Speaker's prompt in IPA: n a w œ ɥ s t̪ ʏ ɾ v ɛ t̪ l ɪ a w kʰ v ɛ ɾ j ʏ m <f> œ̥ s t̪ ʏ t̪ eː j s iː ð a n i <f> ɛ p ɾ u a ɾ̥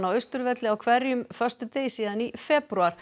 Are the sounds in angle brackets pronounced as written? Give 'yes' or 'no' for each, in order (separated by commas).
yes, yes